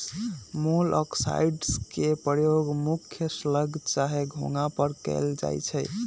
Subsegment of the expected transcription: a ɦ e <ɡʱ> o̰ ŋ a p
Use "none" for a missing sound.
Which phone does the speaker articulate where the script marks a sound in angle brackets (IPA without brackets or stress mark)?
ɡʱ